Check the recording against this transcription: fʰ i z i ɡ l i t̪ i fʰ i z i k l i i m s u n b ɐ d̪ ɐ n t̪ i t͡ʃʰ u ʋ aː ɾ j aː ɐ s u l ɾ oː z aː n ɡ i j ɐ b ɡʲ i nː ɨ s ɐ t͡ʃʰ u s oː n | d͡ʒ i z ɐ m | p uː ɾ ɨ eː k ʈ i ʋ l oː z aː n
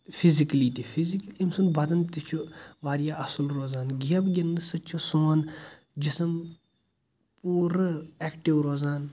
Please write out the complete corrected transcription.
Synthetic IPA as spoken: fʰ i z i k l i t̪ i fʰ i z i k l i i m s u n b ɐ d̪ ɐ n t̪ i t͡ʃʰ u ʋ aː ɾ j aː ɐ s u l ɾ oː z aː n ɡ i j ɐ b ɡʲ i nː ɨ s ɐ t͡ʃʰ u s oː n | d͡ʒ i s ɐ m | p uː ɾ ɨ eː k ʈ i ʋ ɾ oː z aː n